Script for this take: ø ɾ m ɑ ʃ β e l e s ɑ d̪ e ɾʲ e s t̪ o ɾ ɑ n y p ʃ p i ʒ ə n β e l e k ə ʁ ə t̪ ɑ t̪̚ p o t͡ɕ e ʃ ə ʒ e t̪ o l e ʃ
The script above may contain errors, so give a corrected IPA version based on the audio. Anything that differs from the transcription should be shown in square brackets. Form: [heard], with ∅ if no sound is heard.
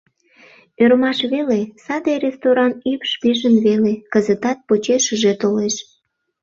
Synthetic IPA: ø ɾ m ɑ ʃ β e l e s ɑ d̪ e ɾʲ e s t̪ o ɾ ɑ n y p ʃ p i ʒ ə n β e l e k ə [z] ə t̪ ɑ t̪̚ p o t͡ɕ e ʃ ə ʒ e t̪ o l e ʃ

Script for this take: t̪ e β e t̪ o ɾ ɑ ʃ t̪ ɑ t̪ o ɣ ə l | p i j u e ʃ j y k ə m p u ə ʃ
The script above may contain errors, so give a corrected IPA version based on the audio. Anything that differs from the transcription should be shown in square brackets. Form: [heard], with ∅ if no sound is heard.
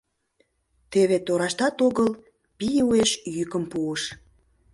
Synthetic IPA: t̪ e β e t̪ o ɾ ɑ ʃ t̪ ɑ t̪ o ɣ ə l | p i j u e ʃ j y k ə m p u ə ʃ

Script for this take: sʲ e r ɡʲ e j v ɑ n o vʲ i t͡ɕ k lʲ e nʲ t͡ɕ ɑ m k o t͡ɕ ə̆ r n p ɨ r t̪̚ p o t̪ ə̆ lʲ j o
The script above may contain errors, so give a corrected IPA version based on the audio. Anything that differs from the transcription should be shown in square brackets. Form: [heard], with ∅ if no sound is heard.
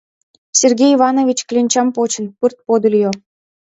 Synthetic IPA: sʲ e r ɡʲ e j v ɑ n o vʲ i t͡ɕ k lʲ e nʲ t͡ɕ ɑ m [p] o t͡ɕ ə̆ [∅] n p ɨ r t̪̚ p o [d̪] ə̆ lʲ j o

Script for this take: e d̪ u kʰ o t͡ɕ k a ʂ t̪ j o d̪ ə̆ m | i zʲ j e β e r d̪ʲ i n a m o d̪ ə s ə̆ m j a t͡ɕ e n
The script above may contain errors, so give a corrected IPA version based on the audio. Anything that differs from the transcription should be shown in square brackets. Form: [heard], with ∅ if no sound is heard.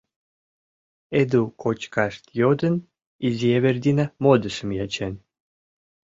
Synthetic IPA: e d̪ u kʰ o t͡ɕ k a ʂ t̪ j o d̪ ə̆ [n] | i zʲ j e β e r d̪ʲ i n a m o d̪ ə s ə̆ m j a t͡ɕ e n

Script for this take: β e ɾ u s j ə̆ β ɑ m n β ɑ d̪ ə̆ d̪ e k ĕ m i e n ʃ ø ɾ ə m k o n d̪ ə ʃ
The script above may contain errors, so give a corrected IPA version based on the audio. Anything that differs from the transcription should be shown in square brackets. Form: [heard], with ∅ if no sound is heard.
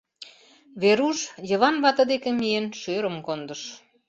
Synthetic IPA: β e ɾ u [ʃ] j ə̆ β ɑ [∅] n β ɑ [t̪] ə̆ d̪ e k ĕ m i e n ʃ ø ɾ ə m k o n d̪ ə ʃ

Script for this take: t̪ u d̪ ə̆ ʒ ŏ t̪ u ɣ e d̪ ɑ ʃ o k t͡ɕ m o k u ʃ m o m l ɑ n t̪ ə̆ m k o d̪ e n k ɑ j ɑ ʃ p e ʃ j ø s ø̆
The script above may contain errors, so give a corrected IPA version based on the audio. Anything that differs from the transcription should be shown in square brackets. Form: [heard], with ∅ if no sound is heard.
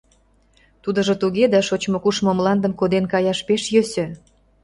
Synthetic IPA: t̪ u d̪ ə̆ ʒ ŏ t̪ u ɣ e d̪ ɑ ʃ o [∅] t͡ɕ m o k u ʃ m o m l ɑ n [d̪] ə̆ m k o d̪ e n k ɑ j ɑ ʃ p e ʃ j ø s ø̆

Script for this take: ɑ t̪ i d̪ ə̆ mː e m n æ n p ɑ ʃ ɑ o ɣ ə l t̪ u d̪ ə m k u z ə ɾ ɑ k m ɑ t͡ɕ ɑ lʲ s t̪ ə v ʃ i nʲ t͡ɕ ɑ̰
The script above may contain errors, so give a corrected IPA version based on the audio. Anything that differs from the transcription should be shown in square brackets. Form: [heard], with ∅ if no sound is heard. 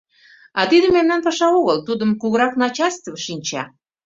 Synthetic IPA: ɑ t̪ i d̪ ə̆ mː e m n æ n p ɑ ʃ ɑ o ɣ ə l t̪ u d̪ ə m k u [ɣ] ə ɾ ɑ k [n] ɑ t͡ɕ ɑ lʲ s t̪ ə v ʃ i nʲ t͡ɕ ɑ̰

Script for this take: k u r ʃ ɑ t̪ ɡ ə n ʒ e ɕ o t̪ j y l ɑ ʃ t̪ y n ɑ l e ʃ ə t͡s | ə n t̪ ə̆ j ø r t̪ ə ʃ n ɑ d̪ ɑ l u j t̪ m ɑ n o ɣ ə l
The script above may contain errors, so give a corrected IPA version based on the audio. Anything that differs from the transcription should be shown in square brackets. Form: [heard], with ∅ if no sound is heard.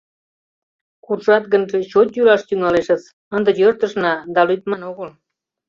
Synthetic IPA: k u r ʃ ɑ t̪ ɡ ə n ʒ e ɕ o t̪ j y l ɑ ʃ t̪ y [ŋ] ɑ l e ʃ ə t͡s | ə n [d̪] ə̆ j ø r t̪ ə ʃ n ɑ d̪ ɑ l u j t̪ m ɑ n o ɣ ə l

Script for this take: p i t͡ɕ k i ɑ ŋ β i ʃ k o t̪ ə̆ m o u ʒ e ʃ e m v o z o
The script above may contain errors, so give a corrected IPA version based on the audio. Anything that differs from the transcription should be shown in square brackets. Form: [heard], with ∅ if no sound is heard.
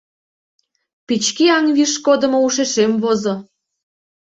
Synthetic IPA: p i t͡ɕ k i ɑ ŋ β i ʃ k o [d̪] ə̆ m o u [ʃ] e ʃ e m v o z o

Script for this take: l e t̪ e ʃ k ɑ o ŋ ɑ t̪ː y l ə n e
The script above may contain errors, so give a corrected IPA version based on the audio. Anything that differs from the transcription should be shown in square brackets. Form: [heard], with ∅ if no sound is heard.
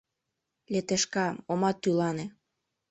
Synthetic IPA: l e t̪ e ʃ k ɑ o [m] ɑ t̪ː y l [ɑ] n e

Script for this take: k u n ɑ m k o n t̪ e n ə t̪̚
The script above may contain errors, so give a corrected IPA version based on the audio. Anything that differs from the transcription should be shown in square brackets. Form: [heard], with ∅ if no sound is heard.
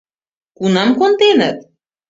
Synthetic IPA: k u n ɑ m k o n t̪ e n ə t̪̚

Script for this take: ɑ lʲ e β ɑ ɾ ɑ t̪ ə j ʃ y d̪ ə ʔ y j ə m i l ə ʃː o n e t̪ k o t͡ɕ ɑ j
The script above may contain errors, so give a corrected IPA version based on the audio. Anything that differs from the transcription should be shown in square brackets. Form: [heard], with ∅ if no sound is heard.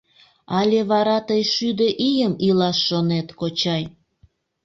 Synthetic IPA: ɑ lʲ e β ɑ ɾ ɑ t̪ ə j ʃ y d̪ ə ʔ [i] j ə m i l [ɑ] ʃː o n e t̪ k o t͡ɕ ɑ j

